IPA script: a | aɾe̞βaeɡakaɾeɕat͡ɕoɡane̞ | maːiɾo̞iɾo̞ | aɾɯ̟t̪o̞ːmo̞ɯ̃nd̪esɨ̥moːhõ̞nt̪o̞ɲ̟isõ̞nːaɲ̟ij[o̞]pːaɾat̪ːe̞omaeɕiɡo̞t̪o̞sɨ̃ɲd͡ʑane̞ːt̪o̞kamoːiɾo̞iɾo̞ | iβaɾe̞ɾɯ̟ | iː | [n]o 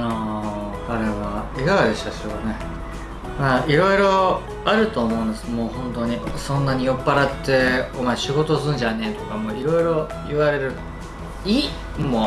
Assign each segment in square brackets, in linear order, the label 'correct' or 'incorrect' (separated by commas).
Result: correct, incorrect